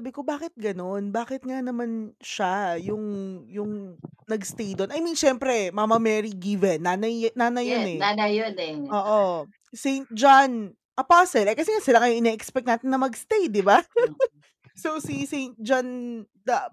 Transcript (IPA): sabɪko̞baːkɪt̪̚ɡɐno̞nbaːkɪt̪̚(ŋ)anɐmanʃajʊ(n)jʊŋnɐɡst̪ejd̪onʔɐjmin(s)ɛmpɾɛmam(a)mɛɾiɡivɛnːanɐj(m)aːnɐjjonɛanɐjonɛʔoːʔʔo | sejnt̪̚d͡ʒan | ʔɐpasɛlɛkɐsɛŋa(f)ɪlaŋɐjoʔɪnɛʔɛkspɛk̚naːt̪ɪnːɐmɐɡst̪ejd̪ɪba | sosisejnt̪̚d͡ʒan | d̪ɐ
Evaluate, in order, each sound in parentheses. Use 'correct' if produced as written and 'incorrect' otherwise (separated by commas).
correct, incorrect, incorrect, incorrect, incorrect, incorrect